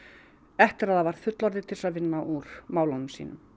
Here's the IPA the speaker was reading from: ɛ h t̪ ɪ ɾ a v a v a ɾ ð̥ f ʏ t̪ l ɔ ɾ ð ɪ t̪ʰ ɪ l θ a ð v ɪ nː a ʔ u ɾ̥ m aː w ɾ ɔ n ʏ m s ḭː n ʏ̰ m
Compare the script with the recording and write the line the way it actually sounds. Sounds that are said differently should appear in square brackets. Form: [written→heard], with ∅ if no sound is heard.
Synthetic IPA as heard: ɛ h t̪ ɪ ɾ a [v→ð] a v a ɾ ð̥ f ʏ t̪ l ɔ ɾ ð ɪ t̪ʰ ɪ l [θ→s] a ð v ɪ nː a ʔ u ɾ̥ m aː w [ɾ→l] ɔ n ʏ m s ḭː n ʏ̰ m